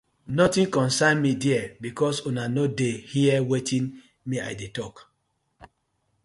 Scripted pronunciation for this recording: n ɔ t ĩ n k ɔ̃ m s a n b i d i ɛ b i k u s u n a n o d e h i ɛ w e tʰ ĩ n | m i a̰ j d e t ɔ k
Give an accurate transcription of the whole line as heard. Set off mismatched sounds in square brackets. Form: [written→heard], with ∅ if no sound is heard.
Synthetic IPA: n ɔ t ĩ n k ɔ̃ [m→n] s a n [b→m] i d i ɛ b i k [u→ɔ] s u n a n o d e h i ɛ w e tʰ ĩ n | m i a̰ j d e t ɔ k